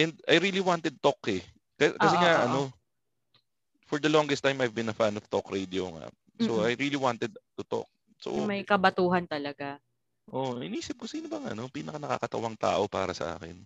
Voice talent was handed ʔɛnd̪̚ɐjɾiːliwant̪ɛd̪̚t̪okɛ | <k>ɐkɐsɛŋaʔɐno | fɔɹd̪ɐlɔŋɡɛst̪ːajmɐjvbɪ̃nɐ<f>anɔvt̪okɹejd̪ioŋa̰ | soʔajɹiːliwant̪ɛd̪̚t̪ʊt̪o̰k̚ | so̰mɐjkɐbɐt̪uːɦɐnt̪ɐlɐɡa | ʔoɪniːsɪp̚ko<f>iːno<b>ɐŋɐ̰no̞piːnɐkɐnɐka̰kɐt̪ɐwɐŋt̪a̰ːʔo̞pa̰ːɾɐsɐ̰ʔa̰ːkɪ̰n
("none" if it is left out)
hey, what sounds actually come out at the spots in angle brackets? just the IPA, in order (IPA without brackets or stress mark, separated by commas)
k, f, s, b